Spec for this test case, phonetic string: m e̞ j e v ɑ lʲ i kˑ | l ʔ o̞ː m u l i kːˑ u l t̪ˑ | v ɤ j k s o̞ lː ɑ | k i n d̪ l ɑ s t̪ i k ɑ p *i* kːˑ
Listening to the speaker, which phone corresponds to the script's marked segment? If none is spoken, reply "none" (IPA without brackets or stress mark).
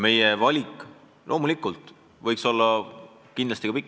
i